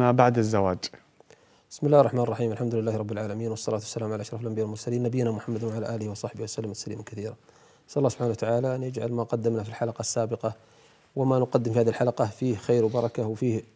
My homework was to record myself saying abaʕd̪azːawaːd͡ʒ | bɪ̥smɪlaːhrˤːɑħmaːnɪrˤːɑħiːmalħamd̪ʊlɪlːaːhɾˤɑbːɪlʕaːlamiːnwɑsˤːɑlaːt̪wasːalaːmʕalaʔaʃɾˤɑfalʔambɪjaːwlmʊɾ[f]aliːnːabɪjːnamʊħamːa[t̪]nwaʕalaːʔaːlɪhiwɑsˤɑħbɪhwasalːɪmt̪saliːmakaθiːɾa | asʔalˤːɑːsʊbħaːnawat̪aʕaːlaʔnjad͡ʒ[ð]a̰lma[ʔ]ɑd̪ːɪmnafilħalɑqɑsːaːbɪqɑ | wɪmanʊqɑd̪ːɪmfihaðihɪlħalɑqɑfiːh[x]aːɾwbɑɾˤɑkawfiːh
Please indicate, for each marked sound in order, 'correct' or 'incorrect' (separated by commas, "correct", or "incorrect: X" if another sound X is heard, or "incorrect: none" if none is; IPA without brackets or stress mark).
incorrect: s, incorrect: d̪, incorrect: ʕ, incorrect: q, correct